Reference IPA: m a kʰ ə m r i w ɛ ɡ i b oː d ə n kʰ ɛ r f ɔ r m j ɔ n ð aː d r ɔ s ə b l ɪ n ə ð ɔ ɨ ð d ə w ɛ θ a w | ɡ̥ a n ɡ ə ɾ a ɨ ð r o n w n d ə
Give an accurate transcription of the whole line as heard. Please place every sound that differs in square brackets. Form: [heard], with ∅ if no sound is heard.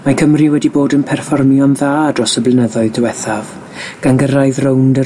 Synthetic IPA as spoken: m a kʰ ə m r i w ɛ [d] i b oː d ə n [pʰ] ɛ r f ɔ r m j ɔ n ð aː d r ɔ s ə b l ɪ n ə ð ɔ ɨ ð d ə w ɛ θ a [v] | ɡ̥ a n ɡ ə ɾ a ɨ ð r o [∅] w n d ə